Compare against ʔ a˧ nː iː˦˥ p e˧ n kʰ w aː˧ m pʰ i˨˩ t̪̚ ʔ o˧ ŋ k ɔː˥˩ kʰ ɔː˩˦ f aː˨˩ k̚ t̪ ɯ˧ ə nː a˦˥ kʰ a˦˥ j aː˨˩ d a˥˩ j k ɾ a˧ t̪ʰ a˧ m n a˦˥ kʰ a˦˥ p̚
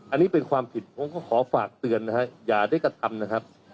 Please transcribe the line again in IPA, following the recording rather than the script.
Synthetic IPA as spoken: ʔ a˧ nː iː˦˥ p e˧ n kʰ w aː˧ m pʰ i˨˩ t̪̚ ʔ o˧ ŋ k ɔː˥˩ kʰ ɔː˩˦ f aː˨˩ k̚ t̪ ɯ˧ ə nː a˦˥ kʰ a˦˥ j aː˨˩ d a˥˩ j k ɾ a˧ t̪ʰ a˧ m n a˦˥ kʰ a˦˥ p̚